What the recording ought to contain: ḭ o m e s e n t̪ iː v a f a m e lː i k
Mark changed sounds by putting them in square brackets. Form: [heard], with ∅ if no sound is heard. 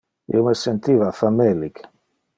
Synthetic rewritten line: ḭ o m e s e n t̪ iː v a f a m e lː i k

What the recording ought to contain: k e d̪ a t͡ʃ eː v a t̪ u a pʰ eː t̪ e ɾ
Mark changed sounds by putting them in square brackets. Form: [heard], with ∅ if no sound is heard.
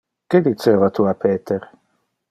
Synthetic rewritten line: k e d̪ [i] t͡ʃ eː v a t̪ u a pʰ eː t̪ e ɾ

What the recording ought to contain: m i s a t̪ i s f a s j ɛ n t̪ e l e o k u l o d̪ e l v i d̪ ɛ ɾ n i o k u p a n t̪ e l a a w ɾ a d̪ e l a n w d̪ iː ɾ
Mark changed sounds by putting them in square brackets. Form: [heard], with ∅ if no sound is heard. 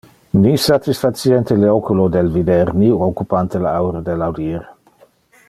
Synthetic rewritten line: [n] i s a t̪ i s f a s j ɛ n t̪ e l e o k u l o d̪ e l v i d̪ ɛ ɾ n i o k u p a n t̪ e l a a w ɾ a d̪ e l a [∅] w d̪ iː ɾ

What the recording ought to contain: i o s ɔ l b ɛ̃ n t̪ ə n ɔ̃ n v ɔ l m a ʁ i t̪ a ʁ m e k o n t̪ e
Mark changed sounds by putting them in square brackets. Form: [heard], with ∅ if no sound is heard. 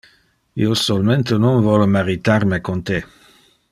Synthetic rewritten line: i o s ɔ l [m] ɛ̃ n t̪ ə n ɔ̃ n v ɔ l m a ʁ i t̪ a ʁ m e k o n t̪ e

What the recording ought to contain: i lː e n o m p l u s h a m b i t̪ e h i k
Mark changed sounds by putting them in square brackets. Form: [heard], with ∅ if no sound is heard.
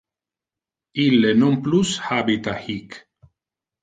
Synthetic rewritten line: i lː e n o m p l u s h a [∅] b i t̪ [a] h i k

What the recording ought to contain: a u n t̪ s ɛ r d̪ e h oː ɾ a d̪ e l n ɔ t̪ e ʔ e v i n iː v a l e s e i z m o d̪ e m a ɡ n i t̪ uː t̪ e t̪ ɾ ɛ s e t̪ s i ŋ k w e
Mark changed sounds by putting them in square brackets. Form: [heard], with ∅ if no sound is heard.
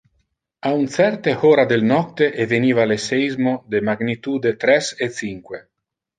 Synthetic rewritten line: a u n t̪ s ɛ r [t̪] e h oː ɾ a d̪ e l n ɔ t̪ e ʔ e v [e] n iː v a l e s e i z m o d̪ e m a ɡ n i t̪ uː [d̪] e t̪ ɾ ɛ s e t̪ s i ŋ k w e

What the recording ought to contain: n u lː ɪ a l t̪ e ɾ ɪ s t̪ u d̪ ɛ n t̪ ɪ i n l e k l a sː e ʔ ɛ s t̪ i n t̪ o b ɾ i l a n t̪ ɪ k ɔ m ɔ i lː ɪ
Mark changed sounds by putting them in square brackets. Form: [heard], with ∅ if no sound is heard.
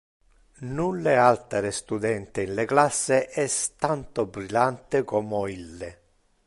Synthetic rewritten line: n u lː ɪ a l t̪ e ɾ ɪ s t̪ u d̪ ɛ n t̪ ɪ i n l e k l a sː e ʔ ɛ s t̪ [a] n t̪ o b ɾ i l a n t̪ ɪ k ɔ m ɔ i lː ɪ

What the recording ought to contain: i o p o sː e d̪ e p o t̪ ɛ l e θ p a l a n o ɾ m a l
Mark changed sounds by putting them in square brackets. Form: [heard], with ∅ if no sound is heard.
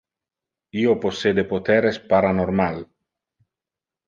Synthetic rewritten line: i o p o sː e d̪ e p o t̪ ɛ [ɾ] e [s] p a [ɾ] a n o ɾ m a l

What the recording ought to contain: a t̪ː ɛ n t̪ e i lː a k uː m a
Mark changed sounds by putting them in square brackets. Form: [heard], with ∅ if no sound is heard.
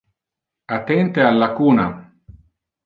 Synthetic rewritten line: a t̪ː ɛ n t̪ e [a] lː a k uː [n] a

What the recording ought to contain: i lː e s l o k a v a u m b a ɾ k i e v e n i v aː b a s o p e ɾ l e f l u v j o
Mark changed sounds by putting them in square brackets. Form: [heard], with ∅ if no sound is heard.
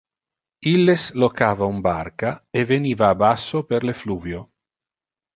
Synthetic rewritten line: i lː e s l o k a v a u m b a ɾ k [a] e v e n i v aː b a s o p e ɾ l e f l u v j o

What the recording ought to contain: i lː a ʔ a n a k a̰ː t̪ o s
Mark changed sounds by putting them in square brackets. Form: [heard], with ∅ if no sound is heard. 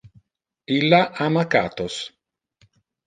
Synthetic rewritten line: i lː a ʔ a [m] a k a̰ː t̪ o s

